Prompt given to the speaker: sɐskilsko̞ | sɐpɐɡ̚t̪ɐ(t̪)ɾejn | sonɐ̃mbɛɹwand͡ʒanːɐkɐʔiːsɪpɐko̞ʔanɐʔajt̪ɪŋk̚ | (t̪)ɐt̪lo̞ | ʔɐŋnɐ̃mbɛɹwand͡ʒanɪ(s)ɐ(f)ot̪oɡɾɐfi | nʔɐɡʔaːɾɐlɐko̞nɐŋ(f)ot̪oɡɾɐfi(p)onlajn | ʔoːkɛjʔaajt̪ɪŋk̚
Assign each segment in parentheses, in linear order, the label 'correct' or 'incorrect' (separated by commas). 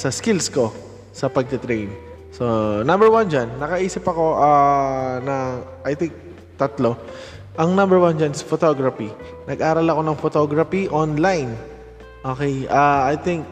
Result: correct, correct, correct, correct, correct, incorrect